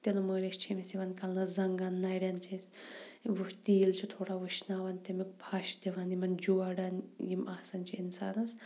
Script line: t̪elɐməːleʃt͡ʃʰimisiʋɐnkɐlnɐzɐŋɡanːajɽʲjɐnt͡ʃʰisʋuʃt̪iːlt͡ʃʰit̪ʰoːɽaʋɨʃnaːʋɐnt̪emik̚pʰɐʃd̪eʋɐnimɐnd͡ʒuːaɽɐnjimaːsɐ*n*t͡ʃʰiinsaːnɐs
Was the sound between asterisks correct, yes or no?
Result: yes